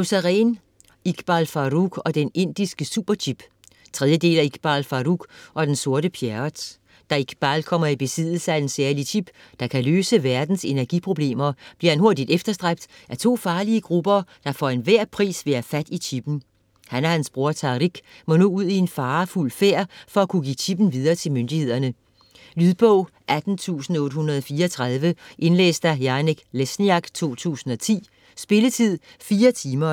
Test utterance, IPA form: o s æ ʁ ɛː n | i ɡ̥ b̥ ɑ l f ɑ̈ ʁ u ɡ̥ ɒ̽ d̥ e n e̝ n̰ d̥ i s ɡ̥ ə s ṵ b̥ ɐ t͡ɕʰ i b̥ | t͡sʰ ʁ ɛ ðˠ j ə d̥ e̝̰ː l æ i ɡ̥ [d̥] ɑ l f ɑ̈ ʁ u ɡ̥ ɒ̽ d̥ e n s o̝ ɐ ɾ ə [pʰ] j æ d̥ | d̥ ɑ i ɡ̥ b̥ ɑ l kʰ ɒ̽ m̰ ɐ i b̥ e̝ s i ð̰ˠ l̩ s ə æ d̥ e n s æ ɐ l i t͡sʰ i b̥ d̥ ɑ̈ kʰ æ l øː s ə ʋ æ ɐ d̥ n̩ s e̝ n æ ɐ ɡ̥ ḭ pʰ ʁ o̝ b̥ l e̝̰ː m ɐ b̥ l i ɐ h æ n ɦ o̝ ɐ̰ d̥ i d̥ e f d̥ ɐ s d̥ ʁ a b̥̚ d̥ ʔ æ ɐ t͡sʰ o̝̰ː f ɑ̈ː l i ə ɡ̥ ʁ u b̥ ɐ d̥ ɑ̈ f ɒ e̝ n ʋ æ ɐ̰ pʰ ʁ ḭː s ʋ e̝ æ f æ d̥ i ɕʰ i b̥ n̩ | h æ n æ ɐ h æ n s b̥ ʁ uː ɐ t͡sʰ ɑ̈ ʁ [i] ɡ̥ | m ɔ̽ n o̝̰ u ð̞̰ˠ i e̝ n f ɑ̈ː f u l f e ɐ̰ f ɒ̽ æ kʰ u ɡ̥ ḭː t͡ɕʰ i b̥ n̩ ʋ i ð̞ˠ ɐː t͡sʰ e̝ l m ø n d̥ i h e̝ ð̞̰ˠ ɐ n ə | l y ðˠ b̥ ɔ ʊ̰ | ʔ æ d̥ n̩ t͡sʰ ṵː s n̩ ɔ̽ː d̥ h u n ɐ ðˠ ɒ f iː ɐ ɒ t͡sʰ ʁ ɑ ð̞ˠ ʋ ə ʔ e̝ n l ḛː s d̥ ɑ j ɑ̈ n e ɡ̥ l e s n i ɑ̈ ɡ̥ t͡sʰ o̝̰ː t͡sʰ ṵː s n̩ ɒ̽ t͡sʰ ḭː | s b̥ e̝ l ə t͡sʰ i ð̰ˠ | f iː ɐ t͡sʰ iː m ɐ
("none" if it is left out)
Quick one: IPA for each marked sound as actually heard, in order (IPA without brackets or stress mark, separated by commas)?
b̥, pʰ, i